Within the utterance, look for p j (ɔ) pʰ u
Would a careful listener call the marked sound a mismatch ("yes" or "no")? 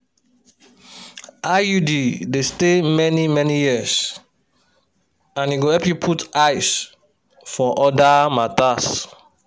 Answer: yes